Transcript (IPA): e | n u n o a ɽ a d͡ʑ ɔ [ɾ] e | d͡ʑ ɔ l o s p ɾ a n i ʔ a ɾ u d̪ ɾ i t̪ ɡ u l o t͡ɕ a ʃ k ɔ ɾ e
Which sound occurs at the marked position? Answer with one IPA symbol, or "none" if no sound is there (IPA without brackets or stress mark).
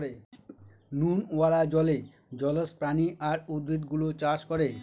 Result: l